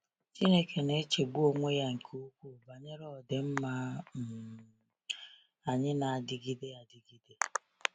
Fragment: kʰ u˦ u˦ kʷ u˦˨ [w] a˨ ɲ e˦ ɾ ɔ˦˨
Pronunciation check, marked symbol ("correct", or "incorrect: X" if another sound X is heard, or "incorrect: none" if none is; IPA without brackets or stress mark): incorrect: b